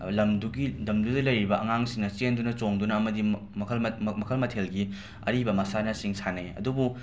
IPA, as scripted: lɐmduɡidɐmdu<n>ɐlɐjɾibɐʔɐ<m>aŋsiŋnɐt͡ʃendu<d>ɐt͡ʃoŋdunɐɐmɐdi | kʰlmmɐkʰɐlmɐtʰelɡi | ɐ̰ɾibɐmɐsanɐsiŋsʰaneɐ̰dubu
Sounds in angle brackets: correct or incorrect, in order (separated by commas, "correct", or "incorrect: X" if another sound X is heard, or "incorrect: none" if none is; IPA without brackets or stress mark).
incorrect: d, incorrect: ŋ, incorrect: n